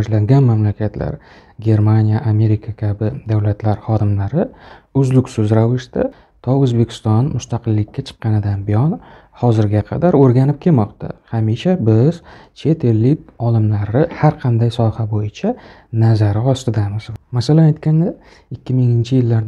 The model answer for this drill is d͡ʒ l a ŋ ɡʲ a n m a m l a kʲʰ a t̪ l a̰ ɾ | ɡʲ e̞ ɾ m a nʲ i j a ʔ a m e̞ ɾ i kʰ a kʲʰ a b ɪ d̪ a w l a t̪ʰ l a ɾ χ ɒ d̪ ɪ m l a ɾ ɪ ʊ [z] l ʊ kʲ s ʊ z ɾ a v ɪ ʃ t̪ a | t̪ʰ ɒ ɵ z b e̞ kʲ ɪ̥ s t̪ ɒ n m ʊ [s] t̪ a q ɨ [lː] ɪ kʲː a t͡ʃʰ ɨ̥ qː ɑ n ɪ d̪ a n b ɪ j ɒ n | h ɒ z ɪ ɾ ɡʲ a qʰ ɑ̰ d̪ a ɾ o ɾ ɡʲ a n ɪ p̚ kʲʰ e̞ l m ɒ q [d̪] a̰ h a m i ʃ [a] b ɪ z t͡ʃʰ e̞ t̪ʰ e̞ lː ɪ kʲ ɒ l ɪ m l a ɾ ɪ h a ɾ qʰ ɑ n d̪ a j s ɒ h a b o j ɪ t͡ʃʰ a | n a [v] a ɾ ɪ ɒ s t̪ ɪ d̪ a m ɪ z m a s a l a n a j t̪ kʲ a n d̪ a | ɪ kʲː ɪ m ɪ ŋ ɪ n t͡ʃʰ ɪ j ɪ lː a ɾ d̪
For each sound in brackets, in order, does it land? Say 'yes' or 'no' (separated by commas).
yes, yes, yes, no, yes, no